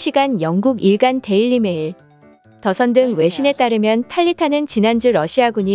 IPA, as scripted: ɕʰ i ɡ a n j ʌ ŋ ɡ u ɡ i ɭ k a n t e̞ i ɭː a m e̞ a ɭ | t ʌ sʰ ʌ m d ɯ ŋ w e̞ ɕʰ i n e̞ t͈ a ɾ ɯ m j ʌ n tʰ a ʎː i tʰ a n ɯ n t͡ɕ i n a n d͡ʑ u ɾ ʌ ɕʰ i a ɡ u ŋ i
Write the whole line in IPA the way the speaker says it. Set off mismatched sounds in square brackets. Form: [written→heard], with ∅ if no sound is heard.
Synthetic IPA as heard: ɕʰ i ɡ a n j ʌ ŋ ɡ u ɡ i ɭ [k→ɡ] a n t e̞ i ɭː [a→i] m e̞ [a→i] ɭ | t ʌ sʰ ʌ [m→n] d ɯ ŋ w e̞ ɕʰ i n e̞ t͈ a ɾ ɯ m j ʌ n tʰ a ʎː i tʰ a n ɯ n t͡ɕ i n a n d͡ʑ u ɾ ʌ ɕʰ i a ɡ u [ŋ→ɲ] i